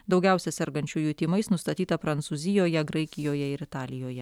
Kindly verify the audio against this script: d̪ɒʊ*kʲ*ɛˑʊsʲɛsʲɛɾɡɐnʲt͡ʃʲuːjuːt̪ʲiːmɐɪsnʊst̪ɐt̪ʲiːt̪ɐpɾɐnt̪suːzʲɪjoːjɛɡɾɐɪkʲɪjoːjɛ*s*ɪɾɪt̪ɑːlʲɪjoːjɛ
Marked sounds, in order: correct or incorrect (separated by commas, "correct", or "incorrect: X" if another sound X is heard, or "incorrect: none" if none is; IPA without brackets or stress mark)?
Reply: incorrect: ɡʲ, incorrect: none